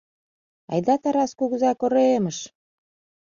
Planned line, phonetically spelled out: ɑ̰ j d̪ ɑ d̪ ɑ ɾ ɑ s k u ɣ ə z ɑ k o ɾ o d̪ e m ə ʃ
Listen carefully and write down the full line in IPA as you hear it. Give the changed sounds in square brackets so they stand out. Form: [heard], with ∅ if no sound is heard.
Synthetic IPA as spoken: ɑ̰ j d̪ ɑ [t̪] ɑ ɾ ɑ s k u ɣ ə z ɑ k o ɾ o [∅] e m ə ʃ